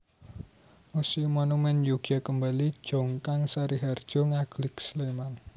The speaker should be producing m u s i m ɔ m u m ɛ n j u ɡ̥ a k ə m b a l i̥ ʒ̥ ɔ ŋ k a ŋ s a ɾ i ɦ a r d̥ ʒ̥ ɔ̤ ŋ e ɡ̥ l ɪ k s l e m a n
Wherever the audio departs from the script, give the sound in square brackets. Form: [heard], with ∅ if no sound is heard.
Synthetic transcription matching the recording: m u s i m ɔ [n] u m ɛ n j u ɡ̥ a k ə m b a l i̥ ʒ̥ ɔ ŋ k a ŋ s a ɾ i ɦ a r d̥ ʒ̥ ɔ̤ ŋ [a] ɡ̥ l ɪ k s l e m a n